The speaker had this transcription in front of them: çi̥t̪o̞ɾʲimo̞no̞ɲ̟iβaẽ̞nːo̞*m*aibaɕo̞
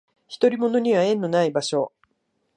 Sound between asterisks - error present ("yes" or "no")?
yes